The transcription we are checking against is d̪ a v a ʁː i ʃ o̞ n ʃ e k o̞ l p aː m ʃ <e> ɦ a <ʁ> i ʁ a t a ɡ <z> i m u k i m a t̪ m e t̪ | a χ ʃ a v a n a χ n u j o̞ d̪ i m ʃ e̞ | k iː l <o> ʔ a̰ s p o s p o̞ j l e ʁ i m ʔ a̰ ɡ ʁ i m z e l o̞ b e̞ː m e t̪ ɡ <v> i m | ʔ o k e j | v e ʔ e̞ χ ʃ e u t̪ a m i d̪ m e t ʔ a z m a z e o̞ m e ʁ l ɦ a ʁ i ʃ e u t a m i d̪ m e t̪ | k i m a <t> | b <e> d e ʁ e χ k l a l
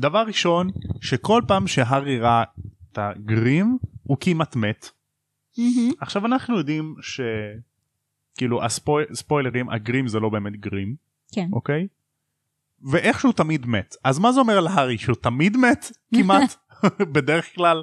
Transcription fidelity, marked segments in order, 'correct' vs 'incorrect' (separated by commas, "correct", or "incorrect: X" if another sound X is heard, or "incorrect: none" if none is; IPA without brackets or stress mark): correct, correct, incorrect: ʁ, incorrect: u, incorrect: ʁ, correct, correct